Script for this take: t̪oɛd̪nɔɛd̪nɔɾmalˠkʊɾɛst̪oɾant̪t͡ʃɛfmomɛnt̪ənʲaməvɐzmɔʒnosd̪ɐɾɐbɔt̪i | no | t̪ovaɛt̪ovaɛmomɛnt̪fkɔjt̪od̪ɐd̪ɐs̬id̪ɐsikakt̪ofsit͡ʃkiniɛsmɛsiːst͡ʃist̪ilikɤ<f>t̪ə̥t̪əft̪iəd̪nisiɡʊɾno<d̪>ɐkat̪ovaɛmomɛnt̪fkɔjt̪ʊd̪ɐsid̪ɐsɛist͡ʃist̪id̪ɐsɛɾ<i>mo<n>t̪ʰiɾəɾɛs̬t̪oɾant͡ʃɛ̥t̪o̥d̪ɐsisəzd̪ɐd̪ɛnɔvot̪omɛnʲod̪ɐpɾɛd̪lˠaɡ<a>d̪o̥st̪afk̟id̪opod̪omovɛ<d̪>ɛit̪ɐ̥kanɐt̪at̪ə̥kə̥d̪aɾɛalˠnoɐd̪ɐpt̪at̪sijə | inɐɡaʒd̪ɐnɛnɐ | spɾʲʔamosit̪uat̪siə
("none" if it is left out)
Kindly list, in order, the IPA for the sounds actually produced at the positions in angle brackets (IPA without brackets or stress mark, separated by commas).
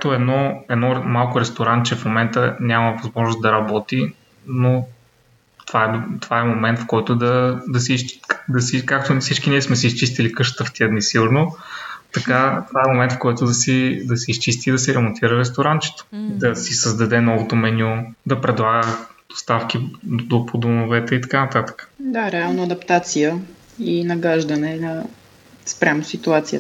ʃ, t̪, ɛ, n, ə, t̪